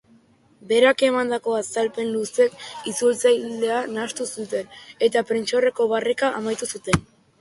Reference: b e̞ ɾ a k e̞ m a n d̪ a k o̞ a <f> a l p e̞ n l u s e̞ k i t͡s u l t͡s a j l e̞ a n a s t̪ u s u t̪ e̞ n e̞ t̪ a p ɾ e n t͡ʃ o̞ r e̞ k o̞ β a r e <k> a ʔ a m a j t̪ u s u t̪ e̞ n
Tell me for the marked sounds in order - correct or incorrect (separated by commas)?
incorrect, correct